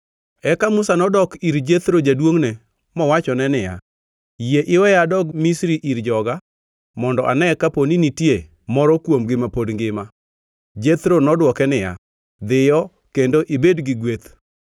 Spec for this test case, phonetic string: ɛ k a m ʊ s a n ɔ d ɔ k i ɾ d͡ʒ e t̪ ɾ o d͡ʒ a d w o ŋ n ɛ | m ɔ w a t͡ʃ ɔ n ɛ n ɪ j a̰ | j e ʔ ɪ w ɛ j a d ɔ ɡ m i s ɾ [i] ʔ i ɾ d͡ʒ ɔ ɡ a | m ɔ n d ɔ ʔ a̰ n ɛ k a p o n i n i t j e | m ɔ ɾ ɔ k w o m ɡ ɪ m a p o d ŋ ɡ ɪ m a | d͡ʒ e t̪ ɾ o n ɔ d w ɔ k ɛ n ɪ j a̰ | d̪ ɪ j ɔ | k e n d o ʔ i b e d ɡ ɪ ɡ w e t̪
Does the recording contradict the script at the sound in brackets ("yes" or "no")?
no